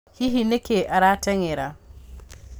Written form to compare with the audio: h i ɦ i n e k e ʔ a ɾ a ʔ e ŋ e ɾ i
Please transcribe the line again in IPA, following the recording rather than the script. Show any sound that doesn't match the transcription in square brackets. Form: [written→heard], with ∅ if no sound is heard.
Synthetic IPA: h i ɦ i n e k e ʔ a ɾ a [ʔ→t] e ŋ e ɾ [i→a]